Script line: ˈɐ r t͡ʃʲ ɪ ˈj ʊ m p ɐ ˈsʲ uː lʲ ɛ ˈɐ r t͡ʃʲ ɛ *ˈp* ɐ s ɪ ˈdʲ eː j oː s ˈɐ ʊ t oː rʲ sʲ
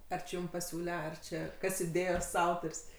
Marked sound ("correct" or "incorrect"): incorrect